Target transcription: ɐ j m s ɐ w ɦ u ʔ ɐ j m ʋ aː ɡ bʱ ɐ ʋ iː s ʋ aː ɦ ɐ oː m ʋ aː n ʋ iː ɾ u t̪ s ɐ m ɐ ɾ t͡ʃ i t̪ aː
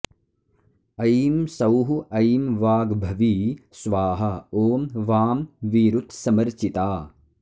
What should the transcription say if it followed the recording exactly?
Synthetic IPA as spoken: ɐ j m s ɐ w ɦ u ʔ ɐ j m ʋ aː ɡ bʱ ɐ ʋ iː s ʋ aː ɦ ɐ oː m ʋ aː m ʋ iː ɾ u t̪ s ɐ m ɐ ɾ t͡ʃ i t̪ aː